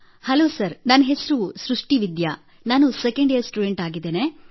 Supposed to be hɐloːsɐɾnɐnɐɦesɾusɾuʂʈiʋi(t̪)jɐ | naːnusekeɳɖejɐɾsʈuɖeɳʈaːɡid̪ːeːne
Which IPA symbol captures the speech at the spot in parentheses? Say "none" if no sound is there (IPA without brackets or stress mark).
d̪